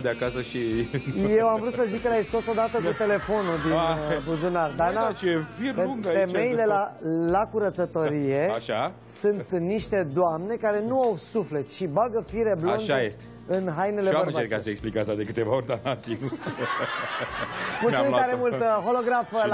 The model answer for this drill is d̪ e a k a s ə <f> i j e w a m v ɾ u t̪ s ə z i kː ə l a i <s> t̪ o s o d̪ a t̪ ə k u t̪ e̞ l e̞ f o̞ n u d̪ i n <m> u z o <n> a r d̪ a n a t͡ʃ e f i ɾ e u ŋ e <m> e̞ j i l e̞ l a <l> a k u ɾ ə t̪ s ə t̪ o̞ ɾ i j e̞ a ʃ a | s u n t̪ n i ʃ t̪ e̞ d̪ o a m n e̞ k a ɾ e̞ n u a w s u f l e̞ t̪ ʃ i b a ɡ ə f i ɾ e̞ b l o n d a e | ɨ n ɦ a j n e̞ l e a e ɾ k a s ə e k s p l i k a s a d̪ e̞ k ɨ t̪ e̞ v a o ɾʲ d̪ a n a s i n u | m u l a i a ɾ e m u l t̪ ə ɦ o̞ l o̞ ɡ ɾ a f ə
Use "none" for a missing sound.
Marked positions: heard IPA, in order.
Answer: ʃ, s, b, n, m, l

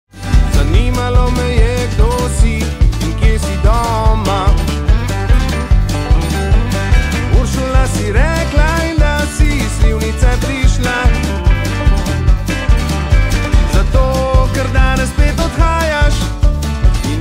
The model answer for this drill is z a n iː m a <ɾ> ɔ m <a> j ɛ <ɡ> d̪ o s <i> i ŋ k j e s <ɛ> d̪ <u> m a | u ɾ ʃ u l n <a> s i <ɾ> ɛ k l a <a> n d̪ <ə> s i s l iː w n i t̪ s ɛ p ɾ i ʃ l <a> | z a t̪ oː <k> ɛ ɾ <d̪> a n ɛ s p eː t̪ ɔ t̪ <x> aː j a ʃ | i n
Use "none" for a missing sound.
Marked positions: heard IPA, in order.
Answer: l, ɛ, ɡ, i, i, ɔ, a, ɾ, i, a, a, k, d̪, x

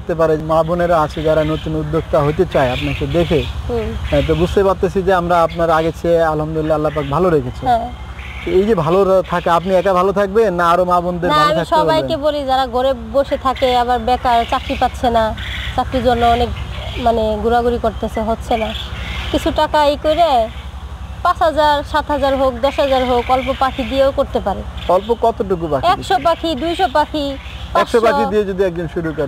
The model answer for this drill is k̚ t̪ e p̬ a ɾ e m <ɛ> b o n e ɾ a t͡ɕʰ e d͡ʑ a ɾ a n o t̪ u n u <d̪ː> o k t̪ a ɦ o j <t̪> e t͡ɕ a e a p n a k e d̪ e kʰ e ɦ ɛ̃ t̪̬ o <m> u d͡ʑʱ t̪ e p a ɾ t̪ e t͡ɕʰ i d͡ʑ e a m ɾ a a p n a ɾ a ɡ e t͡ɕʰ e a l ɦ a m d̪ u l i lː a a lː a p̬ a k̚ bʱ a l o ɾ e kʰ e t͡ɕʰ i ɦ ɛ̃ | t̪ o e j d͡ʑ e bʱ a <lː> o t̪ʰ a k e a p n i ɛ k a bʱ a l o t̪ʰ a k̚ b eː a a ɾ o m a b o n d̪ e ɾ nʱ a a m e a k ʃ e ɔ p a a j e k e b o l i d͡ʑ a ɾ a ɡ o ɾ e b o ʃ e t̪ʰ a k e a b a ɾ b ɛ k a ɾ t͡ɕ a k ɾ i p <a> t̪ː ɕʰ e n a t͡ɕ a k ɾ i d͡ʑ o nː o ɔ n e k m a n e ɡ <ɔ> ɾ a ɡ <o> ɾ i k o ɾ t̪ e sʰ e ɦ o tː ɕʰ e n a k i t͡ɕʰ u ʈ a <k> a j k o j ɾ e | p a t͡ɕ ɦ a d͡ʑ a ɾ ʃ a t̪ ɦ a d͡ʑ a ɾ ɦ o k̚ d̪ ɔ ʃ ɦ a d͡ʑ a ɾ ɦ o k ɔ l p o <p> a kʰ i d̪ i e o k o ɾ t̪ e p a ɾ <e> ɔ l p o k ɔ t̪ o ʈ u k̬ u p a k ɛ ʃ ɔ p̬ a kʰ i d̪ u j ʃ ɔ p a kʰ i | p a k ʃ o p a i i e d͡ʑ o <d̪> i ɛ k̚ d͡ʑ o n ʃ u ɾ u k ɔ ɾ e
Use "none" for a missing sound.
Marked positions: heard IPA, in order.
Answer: a, d̪ː, t̪, b, l, a, u, u, k, p, e, d̪

